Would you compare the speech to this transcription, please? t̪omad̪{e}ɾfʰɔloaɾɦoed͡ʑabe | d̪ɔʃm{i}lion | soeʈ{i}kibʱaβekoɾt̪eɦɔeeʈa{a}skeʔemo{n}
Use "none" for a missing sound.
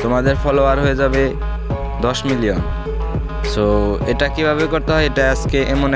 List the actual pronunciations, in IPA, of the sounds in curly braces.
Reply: e, i, a, a, n

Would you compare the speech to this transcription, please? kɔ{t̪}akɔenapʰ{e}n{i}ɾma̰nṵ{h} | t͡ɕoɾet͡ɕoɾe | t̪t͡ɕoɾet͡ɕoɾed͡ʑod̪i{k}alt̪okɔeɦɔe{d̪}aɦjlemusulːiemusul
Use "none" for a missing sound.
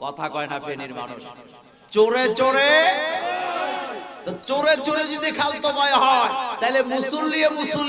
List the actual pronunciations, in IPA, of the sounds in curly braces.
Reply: t̪ʰ, e, i, ʃ, kʰ, t̪

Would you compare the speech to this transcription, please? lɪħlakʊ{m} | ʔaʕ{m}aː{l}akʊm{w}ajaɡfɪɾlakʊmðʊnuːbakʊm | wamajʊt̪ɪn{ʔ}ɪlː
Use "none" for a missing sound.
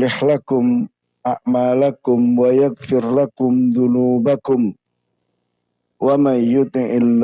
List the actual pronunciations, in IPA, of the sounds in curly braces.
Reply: m, m, l, w, ʔ

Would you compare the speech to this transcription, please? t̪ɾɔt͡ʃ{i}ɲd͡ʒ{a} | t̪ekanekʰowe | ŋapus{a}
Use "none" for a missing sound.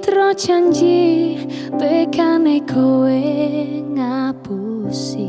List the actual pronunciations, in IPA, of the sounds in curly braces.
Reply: a, i, i

